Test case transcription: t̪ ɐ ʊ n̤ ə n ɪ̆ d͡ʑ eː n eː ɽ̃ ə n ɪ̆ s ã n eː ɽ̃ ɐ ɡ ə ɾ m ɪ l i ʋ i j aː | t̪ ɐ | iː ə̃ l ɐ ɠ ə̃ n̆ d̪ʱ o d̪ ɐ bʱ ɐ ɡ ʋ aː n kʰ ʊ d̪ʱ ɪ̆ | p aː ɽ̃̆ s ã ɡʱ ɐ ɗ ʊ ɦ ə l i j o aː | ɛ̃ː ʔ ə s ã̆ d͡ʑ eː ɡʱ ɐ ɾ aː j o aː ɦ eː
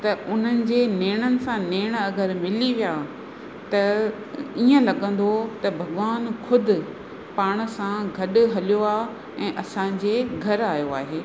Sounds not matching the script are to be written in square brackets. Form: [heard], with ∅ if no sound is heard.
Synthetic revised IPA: t̪ ɐ ʊ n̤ ə n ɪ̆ d͡ʑ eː n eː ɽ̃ ə n ɪ̆ s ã n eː ɽ̃ ɐ ɡ ə ɾ m ɪ l i ʋ i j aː | t̪ ɐ | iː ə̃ l ɐ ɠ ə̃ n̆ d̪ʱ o [t̪] ɐ bʱ ɐ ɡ ʋ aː n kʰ ʊ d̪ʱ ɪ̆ | p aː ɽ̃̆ s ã ɡʱ ɐ ɗ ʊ ɦ [ɐ] l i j o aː | ɛ̃ː ʔ [ɐ] s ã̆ d͡ʑ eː ɡʱ ɐ ɾ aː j o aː ɦ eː